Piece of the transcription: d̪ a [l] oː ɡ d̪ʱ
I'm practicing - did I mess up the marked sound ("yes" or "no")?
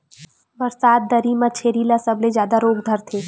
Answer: yes